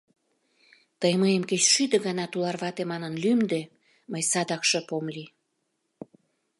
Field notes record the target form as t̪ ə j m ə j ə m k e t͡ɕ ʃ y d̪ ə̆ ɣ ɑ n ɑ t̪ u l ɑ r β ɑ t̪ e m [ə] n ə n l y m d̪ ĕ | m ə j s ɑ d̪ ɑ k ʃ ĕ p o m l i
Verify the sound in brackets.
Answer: incorrect: ɑ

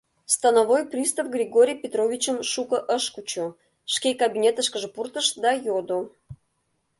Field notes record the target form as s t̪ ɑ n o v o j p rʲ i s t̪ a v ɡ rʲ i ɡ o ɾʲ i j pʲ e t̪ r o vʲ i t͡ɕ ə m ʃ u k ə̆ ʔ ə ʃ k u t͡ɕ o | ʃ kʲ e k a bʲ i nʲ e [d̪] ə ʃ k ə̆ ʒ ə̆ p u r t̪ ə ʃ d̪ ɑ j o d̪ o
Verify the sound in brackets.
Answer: incorrect: t̪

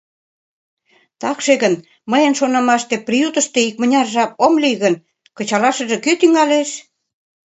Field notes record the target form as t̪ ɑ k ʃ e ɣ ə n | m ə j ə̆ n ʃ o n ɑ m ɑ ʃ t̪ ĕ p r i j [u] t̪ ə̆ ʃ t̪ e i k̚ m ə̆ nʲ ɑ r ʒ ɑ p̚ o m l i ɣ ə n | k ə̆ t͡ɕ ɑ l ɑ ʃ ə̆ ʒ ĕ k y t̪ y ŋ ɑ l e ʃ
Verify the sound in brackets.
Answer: correct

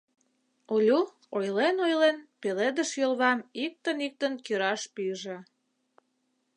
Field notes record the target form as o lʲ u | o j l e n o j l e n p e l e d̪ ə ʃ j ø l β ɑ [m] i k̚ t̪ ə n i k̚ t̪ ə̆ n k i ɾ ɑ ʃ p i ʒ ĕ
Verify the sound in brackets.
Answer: correct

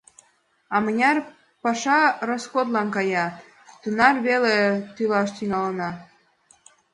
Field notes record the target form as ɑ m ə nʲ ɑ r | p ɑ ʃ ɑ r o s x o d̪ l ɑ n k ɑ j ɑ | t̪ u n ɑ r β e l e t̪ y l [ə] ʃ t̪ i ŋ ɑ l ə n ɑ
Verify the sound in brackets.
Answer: incorrect: ɑ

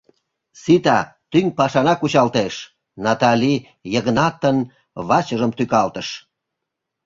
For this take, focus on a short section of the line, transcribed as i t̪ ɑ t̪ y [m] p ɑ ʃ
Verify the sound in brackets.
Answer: incorrect: ŋ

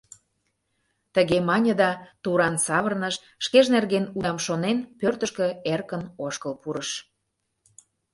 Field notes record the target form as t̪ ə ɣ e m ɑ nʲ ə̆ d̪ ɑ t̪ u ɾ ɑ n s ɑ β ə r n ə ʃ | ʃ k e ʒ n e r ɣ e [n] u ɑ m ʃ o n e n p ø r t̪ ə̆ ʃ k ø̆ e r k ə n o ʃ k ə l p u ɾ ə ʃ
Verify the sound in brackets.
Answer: correct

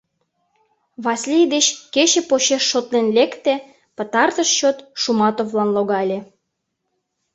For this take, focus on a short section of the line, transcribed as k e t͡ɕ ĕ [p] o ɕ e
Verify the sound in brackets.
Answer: correct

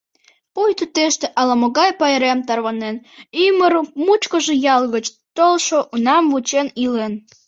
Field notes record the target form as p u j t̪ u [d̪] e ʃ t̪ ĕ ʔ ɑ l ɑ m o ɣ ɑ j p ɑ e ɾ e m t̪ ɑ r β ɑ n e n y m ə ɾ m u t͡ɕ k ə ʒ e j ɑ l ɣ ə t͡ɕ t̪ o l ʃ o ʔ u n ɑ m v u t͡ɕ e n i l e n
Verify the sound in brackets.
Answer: incorrect: t̪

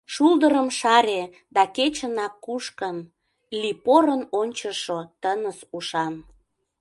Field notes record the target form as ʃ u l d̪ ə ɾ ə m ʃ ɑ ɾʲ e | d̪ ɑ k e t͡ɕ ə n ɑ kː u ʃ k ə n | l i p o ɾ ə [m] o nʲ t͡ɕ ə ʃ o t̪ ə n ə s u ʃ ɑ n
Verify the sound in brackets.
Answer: incorrect: n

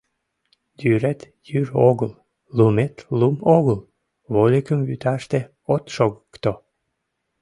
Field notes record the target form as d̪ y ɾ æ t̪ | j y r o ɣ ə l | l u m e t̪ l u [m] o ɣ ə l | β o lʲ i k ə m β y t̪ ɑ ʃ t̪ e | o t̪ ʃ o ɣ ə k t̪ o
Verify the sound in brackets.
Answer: correct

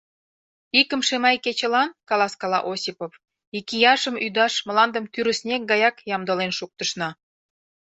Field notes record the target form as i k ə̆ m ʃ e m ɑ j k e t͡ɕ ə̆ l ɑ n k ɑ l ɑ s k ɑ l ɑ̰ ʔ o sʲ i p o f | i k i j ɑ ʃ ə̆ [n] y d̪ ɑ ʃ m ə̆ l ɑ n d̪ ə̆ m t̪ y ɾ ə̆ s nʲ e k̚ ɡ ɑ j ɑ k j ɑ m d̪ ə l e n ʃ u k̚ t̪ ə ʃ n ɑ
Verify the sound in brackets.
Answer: incorrect: m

